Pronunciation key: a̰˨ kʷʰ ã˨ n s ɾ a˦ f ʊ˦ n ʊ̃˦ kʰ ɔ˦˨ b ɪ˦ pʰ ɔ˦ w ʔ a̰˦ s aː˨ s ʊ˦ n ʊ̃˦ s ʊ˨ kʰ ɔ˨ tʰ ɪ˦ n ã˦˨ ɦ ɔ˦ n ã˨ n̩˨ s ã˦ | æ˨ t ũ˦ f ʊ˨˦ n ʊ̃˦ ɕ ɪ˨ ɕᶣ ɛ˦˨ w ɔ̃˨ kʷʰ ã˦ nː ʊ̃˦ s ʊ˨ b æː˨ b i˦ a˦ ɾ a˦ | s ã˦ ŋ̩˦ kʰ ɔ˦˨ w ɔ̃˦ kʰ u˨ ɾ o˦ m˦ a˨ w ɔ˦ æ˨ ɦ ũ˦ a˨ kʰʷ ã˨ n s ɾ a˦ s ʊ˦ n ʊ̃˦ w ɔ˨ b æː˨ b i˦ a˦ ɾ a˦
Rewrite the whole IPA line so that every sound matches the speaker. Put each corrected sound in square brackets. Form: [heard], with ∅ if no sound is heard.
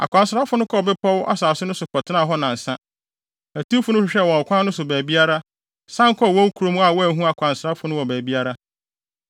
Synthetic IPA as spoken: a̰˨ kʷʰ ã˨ n s ɾ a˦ f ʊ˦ n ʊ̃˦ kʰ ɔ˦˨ b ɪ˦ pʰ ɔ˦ w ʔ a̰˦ s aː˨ s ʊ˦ n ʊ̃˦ s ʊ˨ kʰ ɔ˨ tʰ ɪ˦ n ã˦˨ ɦ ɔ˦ n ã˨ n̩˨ s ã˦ | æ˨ t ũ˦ f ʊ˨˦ n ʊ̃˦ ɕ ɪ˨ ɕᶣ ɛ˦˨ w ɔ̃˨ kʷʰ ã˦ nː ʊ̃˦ s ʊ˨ b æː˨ b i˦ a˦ ɾ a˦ | s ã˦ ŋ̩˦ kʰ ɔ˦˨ w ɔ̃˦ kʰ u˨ ɾ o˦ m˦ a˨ w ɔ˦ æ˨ ɦ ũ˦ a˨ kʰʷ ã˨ n s ɾ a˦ [f] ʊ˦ n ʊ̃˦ w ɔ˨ b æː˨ b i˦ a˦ ɾ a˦